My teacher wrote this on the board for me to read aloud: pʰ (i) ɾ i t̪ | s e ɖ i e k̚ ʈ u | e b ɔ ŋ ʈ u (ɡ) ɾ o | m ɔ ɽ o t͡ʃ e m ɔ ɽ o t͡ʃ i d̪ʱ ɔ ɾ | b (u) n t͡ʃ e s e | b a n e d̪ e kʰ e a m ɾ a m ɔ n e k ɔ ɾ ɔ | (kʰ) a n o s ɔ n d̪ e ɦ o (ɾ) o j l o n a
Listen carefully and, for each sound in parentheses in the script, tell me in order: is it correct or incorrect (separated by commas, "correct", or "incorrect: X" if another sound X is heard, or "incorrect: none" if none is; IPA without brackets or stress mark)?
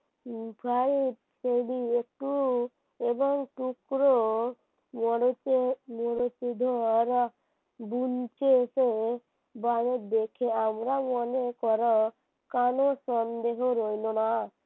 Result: incorrect: a, incorrect: k, correct, incorrect: k, correct